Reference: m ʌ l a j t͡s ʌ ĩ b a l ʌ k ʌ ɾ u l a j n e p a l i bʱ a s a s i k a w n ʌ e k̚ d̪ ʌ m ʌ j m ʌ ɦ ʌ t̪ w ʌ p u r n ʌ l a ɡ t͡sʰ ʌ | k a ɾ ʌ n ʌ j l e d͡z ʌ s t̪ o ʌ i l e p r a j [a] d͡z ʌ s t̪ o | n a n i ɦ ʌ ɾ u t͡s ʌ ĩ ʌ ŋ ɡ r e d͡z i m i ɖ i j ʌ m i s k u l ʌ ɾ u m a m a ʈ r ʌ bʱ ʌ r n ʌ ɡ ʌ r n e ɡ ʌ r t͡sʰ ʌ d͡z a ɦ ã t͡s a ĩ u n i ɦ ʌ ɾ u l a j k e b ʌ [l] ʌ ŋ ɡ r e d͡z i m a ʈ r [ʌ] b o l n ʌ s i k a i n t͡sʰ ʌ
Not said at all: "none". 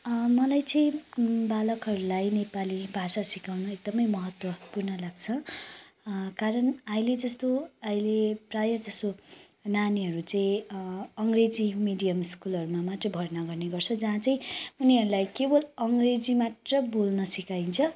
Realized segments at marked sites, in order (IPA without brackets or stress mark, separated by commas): ʌ, l, ʌ